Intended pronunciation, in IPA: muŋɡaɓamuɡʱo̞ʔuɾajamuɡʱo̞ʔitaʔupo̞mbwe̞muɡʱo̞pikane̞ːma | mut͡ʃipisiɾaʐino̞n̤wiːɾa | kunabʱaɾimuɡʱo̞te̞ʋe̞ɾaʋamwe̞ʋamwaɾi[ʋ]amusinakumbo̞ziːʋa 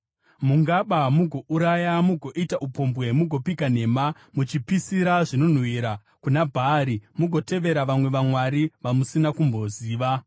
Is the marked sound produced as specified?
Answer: yes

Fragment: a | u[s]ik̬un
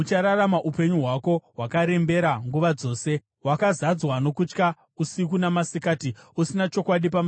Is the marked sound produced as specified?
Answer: yes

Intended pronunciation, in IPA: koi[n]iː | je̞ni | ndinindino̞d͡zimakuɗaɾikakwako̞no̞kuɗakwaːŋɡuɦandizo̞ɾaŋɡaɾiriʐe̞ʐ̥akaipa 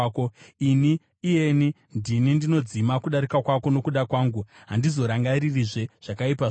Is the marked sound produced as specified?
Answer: yes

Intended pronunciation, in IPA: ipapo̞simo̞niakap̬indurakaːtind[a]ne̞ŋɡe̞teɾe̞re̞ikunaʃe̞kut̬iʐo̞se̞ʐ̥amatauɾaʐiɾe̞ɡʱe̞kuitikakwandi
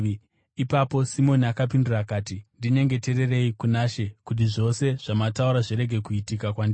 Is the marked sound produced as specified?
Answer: no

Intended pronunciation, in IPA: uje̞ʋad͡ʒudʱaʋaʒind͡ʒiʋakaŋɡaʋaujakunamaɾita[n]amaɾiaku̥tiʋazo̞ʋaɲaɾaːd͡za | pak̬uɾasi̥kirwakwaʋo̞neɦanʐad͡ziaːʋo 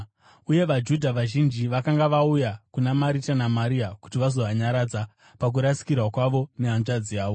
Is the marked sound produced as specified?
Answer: yes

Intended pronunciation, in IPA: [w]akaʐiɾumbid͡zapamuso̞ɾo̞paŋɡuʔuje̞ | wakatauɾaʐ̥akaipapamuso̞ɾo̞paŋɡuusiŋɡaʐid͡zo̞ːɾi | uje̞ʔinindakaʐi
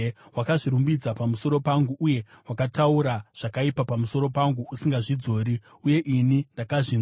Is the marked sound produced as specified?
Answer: yes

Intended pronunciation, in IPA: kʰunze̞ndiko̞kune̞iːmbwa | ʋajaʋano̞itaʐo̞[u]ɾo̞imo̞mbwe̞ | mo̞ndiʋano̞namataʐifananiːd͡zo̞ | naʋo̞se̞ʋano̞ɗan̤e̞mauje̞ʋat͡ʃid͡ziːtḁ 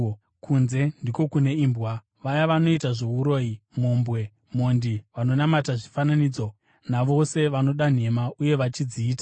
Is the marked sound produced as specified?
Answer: yes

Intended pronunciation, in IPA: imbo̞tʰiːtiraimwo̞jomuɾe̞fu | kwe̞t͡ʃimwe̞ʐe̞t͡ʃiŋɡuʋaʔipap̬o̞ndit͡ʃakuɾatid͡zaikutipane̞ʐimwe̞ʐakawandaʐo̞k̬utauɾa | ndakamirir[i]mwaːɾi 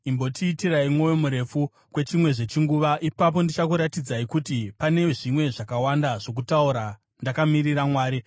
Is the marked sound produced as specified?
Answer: no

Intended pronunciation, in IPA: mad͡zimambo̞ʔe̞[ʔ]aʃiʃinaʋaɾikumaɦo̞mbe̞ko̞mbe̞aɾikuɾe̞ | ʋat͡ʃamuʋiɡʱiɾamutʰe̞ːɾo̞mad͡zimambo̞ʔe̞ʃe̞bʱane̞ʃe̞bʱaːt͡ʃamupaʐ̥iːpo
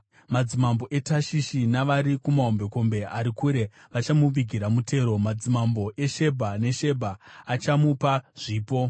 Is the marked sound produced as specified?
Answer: no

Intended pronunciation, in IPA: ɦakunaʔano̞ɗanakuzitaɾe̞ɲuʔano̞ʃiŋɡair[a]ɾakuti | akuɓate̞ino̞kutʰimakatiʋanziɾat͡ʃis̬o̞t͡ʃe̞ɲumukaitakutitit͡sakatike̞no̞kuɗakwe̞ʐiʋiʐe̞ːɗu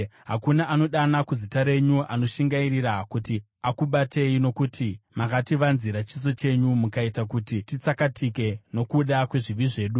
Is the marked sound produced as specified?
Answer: no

